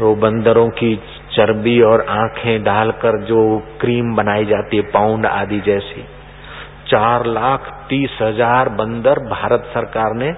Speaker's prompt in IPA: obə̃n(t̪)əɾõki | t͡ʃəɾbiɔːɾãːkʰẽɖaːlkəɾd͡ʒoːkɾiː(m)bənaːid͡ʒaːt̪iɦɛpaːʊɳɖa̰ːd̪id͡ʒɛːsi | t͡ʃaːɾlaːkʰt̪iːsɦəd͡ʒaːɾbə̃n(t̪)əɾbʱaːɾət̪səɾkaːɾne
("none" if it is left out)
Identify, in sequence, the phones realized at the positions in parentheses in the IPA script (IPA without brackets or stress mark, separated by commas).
d̪, m, d̪